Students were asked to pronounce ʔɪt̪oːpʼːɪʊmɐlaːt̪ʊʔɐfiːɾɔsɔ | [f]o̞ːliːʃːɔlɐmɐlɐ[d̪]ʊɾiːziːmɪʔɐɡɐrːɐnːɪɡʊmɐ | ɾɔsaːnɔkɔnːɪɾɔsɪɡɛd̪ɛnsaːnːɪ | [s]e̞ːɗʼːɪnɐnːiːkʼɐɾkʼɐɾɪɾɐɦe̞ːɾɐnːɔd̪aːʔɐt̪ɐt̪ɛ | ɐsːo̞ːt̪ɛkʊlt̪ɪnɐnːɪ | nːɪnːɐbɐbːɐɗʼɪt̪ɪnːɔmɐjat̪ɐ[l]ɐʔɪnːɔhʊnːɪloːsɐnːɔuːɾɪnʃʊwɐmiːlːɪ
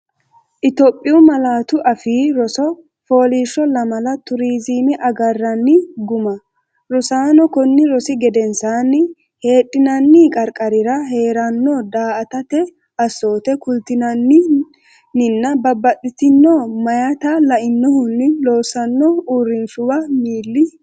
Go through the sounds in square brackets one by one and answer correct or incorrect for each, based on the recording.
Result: correct, incorrect: t̪, incorrect: h, correct

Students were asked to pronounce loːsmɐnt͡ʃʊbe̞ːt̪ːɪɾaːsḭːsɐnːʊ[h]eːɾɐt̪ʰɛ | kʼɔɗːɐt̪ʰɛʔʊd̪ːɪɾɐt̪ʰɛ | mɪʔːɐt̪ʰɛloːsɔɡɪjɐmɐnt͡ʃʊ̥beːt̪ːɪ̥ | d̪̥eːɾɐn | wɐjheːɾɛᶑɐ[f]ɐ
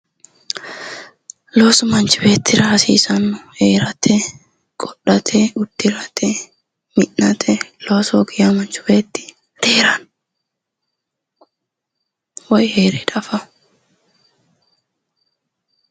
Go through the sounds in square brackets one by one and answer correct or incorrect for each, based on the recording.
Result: correct, correct

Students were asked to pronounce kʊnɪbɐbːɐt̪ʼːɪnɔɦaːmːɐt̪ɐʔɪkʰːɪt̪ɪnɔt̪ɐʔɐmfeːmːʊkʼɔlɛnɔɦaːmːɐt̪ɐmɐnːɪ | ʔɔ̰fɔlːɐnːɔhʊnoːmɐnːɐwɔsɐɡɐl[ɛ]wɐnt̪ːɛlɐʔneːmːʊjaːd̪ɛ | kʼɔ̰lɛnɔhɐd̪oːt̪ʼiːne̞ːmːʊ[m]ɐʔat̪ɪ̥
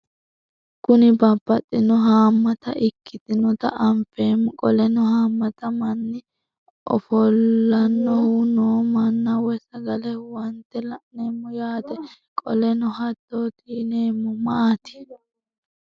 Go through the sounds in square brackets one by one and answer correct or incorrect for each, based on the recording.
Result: correct, correct

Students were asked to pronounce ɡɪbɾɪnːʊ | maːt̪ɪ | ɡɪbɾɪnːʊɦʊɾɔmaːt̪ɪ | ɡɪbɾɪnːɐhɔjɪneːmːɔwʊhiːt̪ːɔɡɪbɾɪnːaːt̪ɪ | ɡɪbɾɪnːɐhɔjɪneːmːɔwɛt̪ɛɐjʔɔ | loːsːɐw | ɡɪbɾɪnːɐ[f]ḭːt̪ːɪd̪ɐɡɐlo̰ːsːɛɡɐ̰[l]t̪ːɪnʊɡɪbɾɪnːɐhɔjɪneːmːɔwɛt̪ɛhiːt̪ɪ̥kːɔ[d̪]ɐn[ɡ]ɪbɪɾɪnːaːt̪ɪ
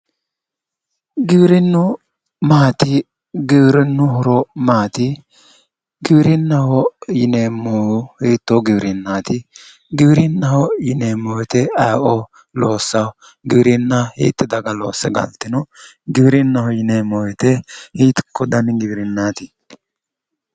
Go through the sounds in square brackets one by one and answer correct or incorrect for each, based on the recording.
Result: incorrect: h, correct, correct, correct

